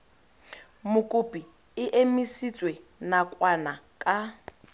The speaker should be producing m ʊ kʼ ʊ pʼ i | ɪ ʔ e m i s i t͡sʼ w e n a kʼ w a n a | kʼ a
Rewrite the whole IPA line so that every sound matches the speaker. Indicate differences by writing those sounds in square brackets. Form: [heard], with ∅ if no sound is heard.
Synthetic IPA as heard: m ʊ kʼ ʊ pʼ i | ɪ ʔ e m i s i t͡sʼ w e n a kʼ w a n a | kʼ a